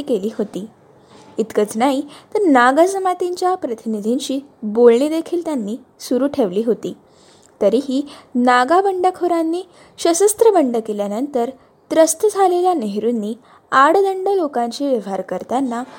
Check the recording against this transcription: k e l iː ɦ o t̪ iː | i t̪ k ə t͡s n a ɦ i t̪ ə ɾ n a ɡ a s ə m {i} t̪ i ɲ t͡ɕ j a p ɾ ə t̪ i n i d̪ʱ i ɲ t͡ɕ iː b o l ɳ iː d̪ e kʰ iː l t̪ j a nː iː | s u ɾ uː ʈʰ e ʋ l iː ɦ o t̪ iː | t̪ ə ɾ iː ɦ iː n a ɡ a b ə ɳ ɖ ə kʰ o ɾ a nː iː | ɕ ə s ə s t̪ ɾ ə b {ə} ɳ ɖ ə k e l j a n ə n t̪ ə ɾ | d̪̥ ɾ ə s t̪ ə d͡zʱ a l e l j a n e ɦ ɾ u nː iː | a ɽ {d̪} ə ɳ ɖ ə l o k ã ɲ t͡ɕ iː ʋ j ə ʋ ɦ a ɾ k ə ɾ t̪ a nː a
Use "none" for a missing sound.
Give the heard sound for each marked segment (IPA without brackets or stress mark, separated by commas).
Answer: a, ə, d̪